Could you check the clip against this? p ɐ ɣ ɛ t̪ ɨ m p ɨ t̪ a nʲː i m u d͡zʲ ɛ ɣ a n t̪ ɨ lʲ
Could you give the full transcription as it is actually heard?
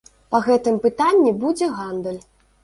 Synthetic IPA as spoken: p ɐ ɣ ɛ t̪ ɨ m p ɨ t̪ a nʲː i b u d͡zʲ ɛ ɣ a n d̪ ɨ lʲ